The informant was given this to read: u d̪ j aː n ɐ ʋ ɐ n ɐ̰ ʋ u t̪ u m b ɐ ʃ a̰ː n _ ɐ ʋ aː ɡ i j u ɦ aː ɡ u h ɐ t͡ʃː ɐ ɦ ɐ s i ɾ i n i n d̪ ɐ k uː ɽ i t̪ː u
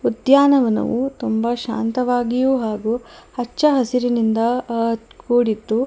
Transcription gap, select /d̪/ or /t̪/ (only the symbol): t̪